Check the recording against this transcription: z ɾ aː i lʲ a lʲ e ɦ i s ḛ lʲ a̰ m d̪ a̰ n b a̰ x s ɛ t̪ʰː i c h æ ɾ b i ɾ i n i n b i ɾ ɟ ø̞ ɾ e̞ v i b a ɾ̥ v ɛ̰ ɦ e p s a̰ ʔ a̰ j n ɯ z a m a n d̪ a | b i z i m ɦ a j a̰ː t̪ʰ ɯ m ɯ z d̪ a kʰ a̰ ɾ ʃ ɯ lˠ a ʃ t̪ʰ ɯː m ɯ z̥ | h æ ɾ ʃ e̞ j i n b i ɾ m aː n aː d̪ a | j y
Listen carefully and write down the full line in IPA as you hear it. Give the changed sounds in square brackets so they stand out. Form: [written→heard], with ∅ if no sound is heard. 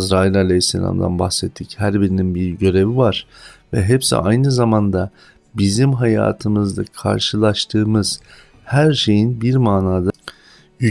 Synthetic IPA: z ɾ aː i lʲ a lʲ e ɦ i [s→sː] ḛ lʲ a̰ m d̪ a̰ n b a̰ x s ɛ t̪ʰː i c h æ ɾ b i ɾ i n i n b i ɾ ɟ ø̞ ɾ e̞ v i [b→v] a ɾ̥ v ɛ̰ ɦ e p s [a̰→ḭ] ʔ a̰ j n ɯ z a m a n d̪ a | b i z i m ɦ a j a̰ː t̪ʰ ɯ m ɯ z d̪ a kʰ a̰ ɾ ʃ ɯ lˠ a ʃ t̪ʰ ɯː m ɯ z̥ | h æ ɾ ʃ e̞ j i n b i ɾ m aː n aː d̪ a | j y

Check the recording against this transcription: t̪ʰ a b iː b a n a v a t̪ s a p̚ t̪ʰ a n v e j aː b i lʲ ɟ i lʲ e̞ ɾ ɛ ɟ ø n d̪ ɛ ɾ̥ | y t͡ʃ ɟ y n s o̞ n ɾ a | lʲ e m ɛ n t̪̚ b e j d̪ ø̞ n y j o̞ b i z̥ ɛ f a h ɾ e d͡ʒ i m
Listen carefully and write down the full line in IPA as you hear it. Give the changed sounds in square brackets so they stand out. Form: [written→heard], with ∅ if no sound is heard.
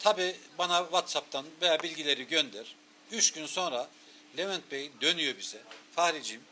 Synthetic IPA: t̪ʰ a b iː b a n a v a t̪ s a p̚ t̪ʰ a n v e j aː b i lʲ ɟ i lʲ e̞ ɾ [ɛ→i] ɟ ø n d̪ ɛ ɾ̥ | y t͡ʃ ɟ y n s o̞ n ɾ a | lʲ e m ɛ n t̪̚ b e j d̪ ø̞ n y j o̞ b i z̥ ɛ f a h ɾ [e→i] d͡ʒ i m

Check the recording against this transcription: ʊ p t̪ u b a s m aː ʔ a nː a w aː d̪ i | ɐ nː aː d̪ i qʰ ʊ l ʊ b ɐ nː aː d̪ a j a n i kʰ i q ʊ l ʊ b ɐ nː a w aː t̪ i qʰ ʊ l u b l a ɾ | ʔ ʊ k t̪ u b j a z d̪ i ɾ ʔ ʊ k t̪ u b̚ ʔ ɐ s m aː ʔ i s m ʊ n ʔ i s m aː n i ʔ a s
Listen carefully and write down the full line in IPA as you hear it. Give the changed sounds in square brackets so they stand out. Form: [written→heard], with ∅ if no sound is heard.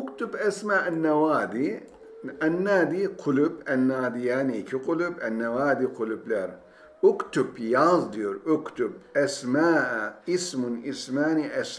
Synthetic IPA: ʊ [p→k] t̪ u b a s m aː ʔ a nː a w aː d̪ i | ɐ nː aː d̪ i qʰ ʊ l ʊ b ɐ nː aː d̪ [a→i] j a n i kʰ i q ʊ l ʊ b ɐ nː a w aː [t̪→d̪] i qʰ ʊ l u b l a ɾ | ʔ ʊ k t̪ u b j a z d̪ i ɾ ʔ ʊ k t̪ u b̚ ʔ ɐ s m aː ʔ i s m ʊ n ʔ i s m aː n i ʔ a s

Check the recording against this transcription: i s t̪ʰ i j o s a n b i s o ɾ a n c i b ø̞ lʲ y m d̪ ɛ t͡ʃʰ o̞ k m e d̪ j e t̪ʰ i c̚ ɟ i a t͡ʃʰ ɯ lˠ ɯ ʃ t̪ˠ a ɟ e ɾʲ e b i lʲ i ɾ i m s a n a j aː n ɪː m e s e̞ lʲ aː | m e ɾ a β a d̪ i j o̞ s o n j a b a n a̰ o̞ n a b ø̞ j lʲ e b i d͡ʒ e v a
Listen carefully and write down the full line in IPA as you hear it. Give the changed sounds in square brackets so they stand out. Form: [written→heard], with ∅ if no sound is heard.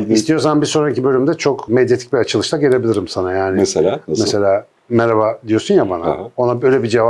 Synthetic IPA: i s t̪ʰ i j o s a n b i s o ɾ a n c i b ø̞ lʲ y m d̪ ɛ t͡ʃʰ o̞ k m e d̪ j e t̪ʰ i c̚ [ɟ→b] i a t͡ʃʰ ɯ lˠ ɯ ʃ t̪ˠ a ɟ e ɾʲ e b i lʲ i ɾ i m s a n a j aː n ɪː m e s e̞ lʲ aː | m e ɾ a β a d̪ i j o̞ s [o→u] n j a b a n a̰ o̞ n a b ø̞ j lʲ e b i d͡ʒ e v a

